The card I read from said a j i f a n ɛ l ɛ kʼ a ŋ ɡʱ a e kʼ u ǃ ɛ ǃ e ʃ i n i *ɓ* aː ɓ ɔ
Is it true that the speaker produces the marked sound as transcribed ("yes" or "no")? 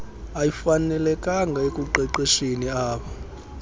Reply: no